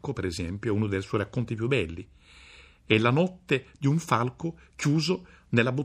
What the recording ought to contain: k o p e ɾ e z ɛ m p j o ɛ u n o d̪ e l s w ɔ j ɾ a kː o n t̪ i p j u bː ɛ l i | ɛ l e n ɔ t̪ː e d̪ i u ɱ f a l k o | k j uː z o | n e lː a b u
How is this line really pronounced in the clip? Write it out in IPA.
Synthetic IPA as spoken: k o p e ɾ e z ɛ m p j o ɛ u n o d̪ e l s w ɔ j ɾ a kː o n t̪ i p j u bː ɛ lː i | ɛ l a n ɔ t̪ː e d̪ i u ɱ f a l k o | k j uː z o | n e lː a b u